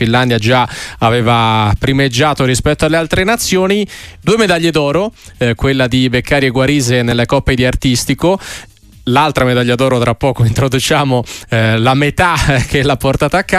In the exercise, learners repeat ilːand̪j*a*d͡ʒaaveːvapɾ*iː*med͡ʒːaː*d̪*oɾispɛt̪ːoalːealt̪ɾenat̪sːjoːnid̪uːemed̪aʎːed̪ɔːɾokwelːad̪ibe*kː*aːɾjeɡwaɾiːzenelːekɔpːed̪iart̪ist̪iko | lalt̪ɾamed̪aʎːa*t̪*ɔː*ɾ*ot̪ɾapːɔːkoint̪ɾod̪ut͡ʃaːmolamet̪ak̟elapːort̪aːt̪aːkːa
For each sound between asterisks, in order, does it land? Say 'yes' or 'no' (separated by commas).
yes, no, no, yes, no, yes